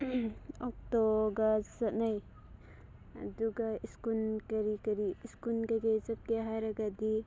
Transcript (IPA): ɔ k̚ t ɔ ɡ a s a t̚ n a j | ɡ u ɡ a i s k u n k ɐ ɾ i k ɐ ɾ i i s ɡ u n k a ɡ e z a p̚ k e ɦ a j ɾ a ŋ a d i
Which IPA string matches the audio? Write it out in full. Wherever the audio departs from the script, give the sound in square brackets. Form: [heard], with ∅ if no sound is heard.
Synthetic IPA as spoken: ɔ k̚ t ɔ ɡ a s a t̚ n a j | [d] u ɡ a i s k u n k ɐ ɾ i k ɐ ɾ i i s [k] u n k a ɡ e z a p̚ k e ɦ a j ɾ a [ɡ] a d i